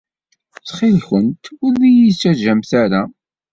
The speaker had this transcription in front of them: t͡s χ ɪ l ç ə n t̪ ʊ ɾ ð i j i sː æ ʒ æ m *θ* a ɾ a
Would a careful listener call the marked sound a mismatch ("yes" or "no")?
no